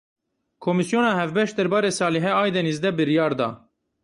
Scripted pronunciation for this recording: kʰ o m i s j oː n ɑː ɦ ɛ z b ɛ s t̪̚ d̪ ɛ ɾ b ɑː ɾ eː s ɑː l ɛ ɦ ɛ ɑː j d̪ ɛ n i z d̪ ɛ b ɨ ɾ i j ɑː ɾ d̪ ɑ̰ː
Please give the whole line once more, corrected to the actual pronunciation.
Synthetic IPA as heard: kʰ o m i s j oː n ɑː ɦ ɛ v b ɛ ʃ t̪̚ d̪ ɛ ɾ b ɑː ɾ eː s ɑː l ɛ ɦ ɛ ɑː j d̪ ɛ n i z d̪ ɛ b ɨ ɾ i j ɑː ɾ d̪ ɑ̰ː